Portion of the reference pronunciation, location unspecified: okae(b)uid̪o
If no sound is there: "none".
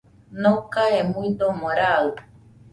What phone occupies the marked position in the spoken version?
m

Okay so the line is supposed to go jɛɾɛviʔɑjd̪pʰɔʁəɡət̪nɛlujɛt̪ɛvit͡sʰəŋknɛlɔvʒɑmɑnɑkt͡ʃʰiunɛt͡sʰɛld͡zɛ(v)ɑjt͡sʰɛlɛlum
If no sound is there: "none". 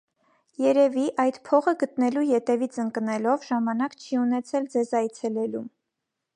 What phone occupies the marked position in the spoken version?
z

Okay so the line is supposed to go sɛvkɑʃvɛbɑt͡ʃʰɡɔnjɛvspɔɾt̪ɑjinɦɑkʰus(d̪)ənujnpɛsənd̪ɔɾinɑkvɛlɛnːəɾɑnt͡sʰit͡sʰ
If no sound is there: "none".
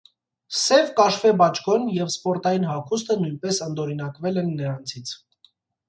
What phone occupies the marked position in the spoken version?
t̪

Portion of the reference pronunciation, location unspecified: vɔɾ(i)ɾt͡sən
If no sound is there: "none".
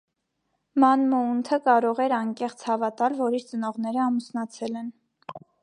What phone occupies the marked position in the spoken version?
i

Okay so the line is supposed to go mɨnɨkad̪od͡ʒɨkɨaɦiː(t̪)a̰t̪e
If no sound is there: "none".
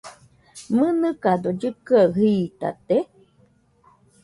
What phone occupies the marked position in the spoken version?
t̪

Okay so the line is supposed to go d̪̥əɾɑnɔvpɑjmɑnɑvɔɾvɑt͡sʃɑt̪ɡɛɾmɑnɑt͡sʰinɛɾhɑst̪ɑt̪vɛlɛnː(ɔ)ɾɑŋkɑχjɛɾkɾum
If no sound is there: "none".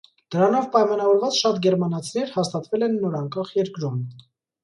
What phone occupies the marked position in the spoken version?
ɔ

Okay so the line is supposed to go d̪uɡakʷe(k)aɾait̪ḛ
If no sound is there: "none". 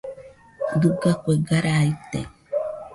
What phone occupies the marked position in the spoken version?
ɡ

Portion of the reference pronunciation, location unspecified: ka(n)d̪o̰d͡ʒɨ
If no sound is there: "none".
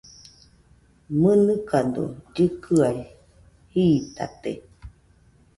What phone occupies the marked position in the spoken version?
n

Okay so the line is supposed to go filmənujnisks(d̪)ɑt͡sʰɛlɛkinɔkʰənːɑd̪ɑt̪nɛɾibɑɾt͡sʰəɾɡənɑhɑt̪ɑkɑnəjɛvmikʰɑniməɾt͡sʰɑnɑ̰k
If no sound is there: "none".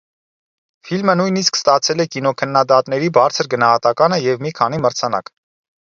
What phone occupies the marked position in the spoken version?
t̪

